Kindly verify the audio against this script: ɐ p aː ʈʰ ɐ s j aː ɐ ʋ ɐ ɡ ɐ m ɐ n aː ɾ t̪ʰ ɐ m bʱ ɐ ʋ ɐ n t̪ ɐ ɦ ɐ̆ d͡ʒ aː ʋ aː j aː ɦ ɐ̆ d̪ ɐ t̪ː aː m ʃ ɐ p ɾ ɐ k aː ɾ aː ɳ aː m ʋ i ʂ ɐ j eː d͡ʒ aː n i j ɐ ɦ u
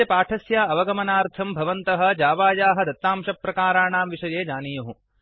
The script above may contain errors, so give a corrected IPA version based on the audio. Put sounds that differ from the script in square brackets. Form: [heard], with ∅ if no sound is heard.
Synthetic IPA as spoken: ɐ p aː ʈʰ ɐ s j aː ɐ ʋ ɐ ɡ ɐ m ɐ n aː ɾ t̪ʰ ɐ m bʱ ɐ ʋ ɐ n t̪ ɐ ɦ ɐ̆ d͡ʒ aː ʋ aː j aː ɦ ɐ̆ d̪ ɐ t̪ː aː m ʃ ɐ p ɾ ɐ k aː ɾ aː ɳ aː m ʋ i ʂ ɐ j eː d͡ʒ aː n i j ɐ ɦ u